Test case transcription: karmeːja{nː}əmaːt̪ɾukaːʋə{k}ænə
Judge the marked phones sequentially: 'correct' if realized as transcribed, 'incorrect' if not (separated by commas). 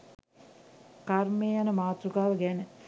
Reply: incorrect, incorrect